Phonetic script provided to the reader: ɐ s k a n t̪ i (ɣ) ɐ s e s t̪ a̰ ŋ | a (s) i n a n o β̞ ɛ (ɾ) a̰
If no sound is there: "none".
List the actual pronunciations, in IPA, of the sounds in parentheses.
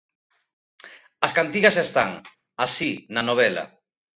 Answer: ɣ, s, l

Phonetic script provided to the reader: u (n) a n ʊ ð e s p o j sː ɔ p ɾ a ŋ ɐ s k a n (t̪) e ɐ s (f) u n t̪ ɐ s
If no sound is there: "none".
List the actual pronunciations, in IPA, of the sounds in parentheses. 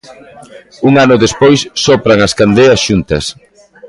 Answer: ŋ, d̪, ʃ

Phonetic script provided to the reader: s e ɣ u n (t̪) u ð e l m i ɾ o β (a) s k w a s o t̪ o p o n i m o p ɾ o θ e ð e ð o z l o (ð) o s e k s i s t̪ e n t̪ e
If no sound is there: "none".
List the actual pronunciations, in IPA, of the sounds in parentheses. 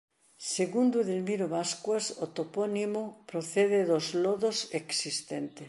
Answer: d̪, a, ð

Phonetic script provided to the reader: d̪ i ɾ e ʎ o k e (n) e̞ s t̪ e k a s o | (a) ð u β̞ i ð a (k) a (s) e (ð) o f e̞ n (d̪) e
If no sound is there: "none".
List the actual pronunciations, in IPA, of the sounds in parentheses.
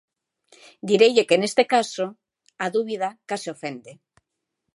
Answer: n, a, k, s, none, d̪

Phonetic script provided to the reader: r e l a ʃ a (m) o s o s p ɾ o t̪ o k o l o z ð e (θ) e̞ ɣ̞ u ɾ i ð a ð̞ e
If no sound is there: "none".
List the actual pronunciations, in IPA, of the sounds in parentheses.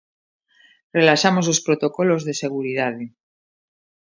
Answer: m, s

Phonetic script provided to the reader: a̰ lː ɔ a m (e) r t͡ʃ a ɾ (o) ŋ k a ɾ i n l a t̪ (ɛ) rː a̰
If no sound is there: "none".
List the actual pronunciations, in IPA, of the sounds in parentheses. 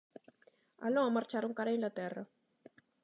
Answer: a, u, ɛ

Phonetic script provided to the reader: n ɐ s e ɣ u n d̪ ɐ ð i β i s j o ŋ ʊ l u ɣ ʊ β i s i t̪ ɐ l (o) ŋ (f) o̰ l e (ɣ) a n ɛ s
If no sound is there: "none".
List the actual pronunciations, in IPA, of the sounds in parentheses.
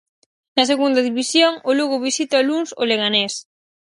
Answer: u, s, ɣ

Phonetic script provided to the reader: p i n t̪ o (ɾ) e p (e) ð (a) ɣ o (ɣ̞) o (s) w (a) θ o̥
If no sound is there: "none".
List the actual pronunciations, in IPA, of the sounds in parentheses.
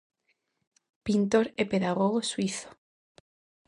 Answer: ɾ, e, a, ɣ̞, s, i

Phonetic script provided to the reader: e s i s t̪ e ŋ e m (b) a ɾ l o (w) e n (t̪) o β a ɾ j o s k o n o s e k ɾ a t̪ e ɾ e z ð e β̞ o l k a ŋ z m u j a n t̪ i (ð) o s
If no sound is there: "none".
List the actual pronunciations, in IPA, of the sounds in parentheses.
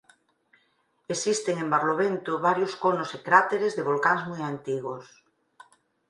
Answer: b, β, t̪, ɣ

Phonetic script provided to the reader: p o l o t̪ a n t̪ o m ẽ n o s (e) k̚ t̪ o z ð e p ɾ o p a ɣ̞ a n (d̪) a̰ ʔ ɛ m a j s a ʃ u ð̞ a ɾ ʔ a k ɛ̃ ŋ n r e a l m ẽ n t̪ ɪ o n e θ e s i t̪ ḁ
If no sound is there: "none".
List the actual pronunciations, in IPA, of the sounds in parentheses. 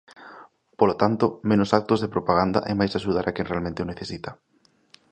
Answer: a, d̪

